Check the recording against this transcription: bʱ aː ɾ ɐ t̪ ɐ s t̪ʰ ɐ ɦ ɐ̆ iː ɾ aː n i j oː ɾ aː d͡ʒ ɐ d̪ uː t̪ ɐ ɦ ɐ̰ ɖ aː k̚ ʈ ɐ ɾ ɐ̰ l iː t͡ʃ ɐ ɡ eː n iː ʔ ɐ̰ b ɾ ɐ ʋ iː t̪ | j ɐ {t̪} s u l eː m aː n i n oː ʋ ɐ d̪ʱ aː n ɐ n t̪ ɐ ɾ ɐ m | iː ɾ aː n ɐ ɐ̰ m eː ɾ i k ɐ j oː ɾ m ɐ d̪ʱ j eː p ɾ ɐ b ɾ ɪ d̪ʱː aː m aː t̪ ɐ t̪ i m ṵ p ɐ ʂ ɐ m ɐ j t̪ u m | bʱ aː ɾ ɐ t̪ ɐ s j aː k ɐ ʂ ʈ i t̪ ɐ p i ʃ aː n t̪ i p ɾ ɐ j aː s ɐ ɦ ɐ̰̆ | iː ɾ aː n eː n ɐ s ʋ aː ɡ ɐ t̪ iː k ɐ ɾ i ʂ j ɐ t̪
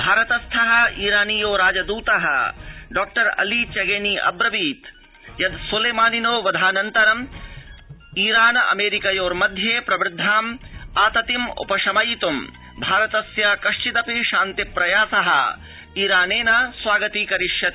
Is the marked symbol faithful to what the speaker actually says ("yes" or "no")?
no